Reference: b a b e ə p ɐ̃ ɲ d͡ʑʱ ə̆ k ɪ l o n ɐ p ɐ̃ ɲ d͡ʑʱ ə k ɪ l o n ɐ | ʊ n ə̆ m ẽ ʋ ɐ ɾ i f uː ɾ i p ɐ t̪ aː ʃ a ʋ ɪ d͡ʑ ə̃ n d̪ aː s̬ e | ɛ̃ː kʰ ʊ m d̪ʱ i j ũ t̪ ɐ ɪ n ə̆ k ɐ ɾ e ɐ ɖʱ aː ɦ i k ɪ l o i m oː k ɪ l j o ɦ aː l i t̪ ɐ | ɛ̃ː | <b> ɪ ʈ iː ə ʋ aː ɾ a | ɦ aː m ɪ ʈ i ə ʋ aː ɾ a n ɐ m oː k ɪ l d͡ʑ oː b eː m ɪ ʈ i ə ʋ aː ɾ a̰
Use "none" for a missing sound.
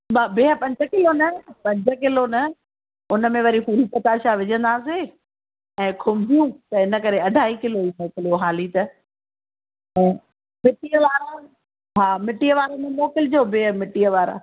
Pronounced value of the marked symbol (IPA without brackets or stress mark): m